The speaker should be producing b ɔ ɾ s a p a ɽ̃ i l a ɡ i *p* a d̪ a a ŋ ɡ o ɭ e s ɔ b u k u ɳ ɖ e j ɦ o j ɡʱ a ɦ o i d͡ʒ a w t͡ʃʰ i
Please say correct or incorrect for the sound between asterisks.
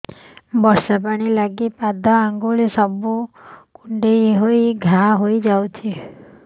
correct